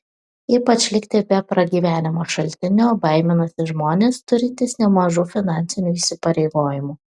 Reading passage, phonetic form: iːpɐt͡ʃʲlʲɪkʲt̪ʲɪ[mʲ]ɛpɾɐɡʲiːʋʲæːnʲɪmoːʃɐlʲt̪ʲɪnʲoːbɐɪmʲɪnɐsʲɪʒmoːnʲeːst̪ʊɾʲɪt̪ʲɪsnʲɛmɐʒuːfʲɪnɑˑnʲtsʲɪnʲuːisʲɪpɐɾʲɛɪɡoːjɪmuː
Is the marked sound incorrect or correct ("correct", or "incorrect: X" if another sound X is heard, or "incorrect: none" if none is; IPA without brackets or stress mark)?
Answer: incorrect: bʲ